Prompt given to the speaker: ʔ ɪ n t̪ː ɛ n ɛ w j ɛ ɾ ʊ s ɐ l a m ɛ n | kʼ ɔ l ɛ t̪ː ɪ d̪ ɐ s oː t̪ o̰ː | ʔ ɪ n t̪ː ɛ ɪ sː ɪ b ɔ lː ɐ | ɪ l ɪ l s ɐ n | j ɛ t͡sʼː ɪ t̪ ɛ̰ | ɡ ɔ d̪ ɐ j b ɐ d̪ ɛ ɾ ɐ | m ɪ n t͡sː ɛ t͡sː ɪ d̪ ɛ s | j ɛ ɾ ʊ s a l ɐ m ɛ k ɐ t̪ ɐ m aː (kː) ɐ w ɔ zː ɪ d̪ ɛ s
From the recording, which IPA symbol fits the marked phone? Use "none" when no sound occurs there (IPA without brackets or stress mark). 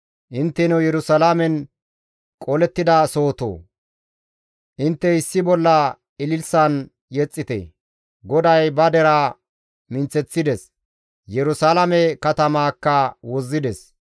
kː